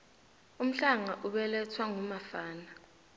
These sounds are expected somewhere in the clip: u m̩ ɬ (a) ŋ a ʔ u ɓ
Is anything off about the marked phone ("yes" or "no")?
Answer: no